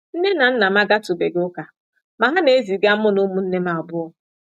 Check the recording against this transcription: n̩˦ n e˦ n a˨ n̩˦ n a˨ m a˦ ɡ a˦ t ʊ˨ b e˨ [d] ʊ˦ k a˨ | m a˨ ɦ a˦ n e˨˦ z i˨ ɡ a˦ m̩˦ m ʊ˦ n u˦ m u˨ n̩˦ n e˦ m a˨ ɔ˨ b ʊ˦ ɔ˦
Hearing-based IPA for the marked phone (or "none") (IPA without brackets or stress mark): ɡ